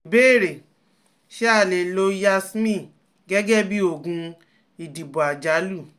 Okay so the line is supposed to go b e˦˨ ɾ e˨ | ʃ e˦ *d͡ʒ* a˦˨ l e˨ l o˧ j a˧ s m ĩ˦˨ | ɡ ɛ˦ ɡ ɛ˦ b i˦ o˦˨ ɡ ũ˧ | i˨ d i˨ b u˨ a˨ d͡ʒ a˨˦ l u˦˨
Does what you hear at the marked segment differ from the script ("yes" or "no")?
yes